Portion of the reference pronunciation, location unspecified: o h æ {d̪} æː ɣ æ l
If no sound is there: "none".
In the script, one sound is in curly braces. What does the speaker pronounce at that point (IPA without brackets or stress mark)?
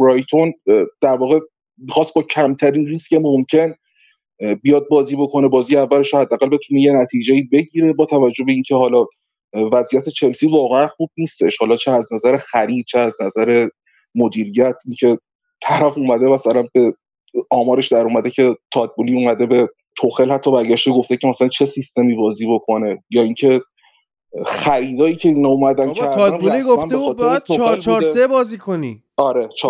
d̪ː